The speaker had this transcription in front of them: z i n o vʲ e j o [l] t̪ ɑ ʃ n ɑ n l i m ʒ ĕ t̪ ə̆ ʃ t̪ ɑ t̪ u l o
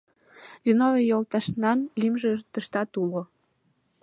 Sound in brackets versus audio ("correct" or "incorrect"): correct